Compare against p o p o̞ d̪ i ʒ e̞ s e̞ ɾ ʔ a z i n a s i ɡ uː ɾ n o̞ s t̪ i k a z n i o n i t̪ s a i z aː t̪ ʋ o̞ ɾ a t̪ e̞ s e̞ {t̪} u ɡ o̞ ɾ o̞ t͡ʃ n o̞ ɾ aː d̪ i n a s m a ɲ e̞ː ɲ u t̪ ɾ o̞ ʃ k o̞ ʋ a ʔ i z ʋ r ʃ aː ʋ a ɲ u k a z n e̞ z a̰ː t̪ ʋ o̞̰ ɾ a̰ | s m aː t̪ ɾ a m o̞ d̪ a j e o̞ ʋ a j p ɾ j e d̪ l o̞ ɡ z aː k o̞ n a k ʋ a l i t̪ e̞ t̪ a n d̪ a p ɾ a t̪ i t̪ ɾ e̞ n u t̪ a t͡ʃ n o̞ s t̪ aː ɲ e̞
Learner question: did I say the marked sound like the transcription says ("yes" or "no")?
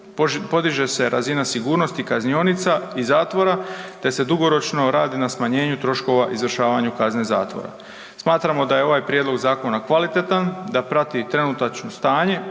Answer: no